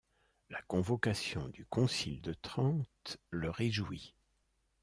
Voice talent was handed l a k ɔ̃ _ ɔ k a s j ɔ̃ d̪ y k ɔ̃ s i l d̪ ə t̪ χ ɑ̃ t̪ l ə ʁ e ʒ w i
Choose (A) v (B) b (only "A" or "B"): A